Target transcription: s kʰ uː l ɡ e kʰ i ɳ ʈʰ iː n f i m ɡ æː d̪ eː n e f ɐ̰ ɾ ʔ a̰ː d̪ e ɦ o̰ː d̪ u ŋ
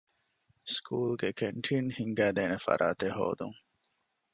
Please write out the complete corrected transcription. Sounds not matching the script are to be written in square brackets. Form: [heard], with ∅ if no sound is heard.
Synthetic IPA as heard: s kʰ uː l ɡ e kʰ [e] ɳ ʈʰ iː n [h] i [ŋ] ɡ æː d̪ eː n e f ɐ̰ ɾ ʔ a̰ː [t̪] e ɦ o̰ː d̪ u ŋ